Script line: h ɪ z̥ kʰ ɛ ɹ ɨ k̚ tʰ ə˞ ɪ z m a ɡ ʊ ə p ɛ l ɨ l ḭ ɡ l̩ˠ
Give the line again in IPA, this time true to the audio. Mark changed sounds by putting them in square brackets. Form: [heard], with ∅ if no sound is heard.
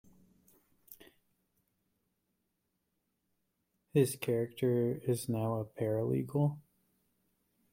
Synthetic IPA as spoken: h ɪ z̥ kʰ ɛ ɹ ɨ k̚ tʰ ə˞ ɪ z [n] a [∅] ʊ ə [pʰ] ɛ [ɹ] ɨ l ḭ ɡ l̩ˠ